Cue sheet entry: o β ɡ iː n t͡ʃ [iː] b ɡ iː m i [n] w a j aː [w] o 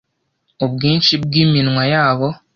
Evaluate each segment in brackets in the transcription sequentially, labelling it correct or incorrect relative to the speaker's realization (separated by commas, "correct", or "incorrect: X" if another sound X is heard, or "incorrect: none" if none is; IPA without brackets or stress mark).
incorrect: i, correct, incorrect: β